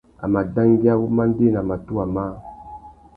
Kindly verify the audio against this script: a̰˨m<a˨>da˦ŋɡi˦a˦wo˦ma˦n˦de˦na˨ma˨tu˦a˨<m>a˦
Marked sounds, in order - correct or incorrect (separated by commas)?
correct, correct